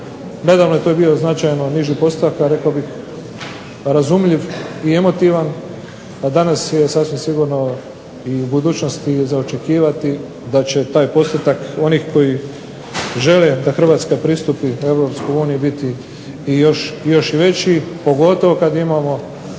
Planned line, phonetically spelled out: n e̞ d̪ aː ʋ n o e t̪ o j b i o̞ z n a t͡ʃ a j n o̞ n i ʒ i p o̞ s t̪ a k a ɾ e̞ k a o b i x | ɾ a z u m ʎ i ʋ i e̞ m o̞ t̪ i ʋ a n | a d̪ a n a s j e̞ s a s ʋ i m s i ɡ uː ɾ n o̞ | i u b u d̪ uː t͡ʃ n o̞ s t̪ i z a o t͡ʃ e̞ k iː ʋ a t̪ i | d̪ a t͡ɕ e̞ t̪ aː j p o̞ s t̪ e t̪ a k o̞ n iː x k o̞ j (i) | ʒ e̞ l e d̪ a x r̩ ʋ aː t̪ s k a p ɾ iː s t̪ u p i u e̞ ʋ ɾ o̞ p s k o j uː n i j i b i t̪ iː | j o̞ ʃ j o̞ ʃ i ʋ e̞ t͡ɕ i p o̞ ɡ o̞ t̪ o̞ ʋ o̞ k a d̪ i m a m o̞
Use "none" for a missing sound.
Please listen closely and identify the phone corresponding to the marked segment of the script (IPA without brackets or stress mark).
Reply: i